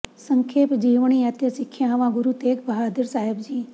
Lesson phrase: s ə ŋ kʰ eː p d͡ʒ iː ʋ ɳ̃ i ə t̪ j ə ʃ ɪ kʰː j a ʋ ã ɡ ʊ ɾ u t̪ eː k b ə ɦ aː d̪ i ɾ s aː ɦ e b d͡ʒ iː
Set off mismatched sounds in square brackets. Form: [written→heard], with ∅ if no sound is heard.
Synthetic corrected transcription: s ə ŋ kʰ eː p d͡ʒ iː ʋ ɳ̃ i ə t̪ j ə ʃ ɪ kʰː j a ʋ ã ɡ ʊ ɾ u t̪ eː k b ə ɦ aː d̪ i ɾ s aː ɦ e b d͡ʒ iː